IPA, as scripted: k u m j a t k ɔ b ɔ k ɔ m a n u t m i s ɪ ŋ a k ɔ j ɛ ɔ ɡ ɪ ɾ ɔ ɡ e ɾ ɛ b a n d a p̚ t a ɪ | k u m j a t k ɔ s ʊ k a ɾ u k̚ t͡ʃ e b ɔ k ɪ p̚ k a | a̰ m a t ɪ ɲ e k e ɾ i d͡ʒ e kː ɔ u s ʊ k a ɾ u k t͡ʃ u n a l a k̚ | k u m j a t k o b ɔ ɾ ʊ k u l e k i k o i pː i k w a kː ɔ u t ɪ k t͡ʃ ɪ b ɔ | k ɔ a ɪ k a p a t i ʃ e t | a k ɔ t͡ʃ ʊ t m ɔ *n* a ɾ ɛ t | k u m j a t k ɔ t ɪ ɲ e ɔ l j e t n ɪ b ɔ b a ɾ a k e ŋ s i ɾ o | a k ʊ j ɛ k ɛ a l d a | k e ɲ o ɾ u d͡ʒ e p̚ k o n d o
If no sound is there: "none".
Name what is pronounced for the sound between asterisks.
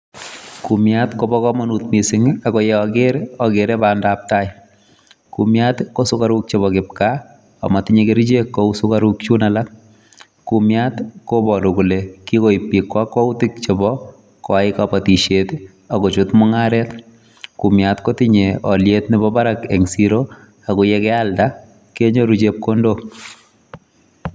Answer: ŋ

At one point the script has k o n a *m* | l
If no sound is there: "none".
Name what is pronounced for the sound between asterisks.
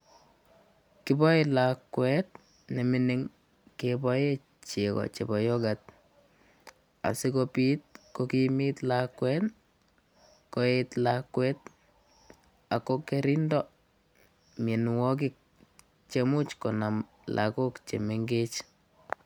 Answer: m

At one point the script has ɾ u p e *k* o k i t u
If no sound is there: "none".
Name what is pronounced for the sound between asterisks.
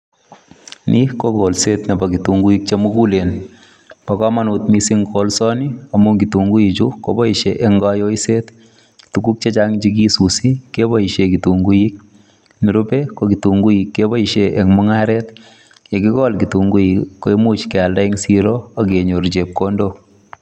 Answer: k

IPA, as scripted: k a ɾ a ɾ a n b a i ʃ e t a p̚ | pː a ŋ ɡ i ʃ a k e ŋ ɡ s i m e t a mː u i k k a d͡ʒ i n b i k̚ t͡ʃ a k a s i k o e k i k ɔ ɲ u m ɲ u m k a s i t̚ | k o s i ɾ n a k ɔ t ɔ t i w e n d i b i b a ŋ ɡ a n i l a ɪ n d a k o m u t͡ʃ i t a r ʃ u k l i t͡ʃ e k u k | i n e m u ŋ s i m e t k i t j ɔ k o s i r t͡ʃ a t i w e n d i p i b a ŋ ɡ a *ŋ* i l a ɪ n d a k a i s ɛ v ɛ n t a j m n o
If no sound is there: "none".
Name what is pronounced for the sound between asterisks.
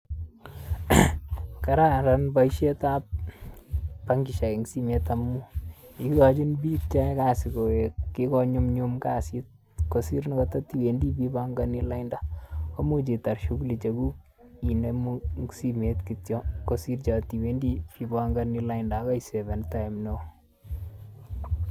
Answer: n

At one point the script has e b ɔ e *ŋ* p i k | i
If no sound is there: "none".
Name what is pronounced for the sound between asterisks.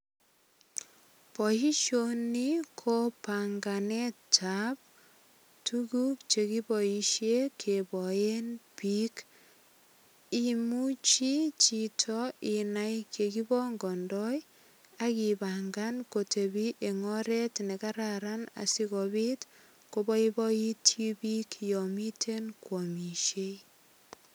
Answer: n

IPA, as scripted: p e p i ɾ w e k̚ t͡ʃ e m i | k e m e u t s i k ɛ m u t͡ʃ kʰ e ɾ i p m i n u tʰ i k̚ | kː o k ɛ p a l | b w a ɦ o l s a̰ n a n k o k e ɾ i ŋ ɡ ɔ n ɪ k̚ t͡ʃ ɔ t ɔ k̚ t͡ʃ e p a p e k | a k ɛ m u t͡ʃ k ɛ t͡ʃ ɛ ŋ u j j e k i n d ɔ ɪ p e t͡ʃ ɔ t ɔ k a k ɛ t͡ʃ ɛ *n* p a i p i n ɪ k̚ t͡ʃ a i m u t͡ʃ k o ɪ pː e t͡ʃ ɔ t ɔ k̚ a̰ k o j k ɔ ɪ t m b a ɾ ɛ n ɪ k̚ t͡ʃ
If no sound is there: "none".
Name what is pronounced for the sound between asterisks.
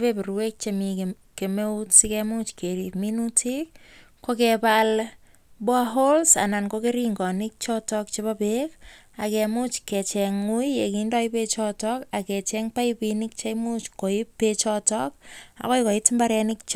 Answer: ŋ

